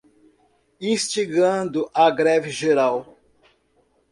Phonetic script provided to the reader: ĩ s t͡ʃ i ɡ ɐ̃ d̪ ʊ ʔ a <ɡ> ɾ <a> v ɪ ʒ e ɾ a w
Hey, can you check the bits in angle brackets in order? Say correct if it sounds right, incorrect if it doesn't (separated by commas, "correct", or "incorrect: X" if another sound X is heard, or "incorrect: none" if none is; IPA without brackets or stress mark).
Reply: correct, incorrect: ɛ